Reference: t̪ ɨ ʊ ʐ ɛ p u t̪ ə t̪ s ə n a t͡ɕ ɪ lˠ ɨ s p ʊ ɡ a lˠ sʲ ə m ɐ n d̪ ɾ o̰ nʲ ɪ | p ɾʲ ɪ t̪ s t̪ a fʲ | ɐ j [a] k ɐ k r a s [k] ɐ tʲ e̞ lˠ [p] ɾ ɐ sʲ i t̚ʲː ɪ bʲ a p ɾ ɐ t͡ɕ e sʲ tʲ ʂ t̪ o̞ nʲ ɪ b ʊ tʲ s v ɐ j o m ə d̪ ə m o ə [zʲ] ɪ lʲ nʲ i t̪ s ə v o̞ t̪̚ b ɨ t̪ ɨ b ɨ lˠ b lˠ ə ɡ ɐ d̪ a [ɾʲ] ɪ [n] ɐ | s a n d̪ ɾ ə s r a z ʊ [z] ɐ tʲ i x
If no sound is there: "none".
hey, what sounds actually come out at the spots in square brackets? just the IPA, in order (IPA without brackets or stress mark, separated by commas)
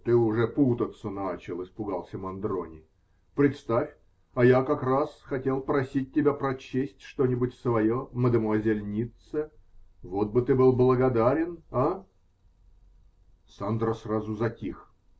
a, x, p, zʲ, ɾʲ, n, z